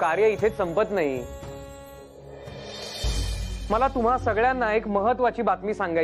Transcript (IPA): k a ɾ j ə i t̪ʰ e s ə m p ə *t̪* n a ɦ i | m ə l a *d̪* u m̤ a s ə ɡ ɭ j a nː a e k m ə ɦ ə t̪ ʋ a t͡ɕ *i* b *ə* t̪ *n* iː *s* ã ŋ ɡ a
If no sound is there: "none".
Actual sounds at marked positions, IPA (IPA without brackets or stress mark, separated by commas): t̪, t̪, iː, a, m, s